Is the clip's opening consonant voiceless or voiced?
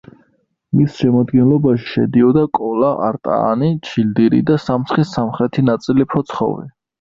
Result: voiced